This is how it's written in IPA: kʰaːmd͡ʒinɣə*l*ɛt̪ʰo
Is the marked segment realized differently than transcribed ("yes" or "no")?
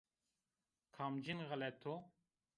no